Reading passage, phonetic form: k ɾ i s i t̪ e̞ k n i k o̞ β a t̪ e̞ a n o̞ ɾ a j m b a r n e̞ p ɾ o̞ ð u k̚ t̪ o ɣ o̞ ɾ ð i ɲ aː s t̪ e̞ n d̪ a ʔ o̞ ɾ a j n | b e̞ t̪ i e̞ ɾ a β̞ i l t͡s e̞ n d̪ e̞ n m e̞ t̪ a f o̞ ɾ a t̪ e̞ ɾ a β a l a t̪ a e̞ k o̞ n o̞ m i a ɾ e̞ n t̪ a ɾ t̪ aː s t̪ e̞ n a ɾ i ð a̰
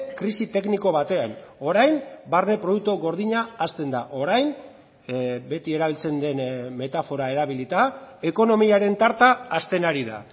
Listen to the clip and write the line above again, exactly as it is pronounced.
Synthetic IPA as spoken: k ɾ i s i t̪ e̞ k n i k o̞ β a t̪ e̞ a n o̞ ɾ a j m b a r n e̞ p ɾ o̞ ð u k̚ t̪ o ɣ o̞ ɾ ð i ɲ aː s t̪ e̞ n d̪ a ʔ o̞ ɾ a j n | b e̞ t̪ i e̞ ɾ a β̞ i l t͡s e̞ n d̪ e̞ n m e̞ t̪ a f o̞ ɾ a e̞ ɾ a β i l i t̪ a e̞ k o̞ n o̞ m i a ɾ e̞ n t̪ a ɾ t̪ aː s t̪ e̞ n a ɾ i ð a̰